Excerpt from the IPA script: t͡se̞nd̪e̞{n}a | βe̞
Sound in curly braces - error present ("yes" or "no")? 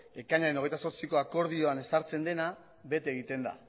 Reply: no